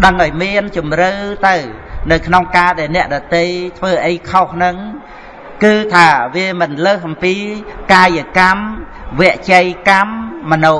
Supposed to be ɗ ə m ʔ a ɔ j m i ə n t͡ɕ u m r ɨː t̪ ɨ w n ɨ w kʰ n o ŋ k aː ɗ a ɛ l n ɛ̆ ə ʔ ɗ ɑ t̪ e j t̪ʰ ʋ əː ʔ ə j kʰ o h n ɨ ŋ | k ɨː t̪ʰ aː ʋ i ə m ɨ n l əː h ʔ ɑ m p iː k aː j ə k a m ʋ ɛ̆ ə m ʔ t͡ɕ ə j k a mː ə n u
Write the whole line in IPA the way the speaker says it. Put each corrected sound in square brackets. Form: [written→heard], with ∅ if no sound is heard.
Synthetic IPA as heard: ɗ ə [m→ŋ] ʔ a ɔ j m i ə n t͡ɕ u m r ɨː t̪ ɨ w n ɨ w kʰ n o ŋ k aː ɗ a ɛ l n ɛ̆ ə ʔ ɗ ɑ t̪ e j t̪ʰ ʋ əː ʔ ə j kʰ o h n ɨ ŋ | k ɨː t̪ʰ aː ʋ i ə m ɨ n l əː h ʔ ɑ m p iː k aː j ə k a m ʋ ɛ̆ ə [m→∅] ʔ t͡ɕ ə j k a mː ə n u